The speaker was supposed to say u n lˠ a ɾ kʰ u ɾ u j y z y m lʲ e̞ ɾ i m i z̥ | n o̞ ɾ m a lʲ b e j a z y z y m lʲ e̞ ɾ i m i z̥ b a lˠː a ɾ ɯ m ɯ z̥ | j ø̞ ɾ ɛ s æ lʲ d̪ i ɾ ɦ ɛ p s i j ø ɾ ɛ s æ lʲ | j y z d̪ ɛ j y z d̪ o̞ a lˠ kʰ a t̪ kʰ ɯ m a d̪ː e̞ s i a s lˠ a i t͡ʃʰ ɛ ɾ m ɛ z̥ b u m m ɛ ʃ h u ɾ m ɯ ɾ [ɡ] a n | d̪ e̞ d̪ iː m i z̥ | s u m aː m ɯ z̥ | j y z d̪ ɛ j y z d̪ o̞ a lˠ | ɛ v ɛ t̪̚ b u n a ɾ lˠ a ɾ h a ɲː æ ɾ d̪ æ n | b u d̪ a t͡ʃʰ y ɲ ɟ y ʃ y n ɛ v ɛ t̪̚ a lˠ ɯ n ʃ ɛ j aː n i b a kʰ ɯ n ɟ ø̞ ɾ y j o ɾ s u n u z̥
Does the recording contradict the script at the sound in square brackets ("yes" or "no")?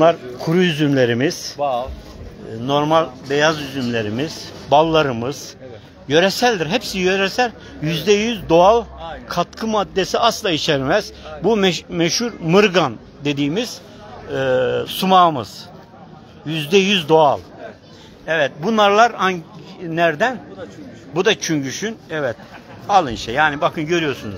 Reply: no